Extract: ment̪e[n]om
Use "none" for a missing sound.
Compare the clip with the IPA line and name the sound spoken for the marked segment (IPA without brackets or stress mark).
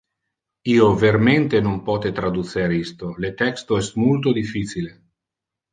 n